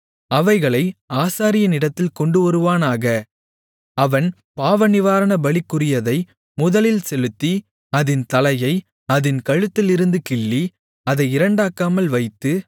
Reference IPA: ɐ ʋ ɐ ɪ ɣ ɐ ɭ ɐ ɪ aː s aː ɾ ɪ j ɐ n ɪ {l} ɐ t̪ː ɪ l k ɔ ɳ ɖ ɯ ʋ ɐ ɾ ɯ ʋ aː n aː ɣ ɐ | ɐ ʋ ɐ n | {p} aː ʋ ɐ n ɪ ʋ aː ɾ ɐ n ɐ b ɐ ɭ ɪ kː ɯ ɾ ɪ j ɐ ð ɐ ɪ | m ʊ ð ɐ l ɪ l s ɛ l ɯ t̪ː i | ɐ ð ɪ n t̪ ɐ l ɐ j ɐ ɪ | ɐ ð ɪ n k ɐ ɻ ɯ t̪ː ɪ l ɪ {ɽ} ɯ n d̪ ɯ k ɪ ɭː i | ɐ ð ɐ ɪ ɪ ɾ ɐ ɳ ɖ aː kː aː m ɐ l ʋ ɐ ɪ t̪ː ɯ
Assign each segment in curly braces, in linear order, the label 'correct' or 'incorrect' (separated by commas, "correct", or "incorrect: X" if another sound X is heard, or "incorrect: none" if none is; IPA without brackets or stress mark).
incorrect: ɽ, correct, incorrect: ɾ